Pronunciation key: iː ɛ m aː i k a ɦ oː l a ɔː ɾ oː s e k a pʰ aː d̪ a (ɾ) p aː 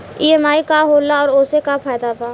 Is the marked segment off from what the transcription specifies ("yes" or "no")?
yes